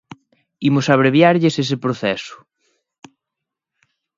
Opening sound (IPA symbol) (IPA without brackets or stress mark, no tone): i